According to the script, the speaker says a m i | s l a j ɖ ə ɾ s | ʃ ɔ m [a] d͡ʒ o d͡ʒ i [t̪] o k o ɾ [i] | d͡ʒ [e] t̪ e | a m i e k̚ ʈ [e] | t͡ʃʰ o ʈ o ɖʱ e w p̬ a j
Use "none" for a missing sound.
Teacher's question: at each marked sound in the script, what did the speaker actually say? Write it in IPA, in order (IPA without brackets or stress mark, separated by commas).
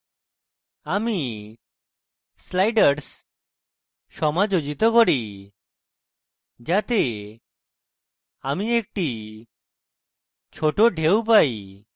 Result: a, t̪, i, a, i